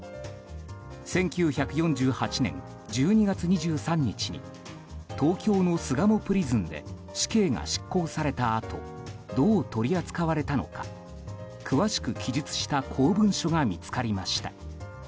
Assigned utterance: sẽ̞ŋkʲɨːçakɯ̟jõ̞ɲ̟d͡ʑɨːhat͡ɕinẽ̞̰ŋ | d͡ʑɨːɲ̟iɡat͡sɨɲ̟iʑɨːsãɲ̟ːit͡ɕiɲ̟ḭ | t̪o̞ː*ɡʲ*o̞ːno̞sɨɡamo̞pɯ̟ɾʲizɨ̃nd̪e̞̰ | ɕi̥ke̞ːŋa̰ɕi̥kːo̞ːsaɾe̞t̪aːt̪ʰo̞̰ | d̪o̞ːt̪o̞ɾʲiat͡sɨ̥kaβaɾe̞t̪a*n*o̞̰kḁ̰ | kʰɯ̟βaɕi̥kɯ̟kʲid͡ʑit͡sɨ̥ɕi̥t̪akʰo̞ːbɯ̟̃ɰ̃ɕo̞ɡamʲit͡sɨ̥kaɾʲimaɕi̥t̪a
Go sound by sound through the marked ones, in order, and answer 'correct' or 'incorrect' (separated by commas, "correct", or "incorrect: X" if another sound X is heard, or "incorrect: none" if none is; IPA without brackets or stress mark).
incorrect: kʲ, correct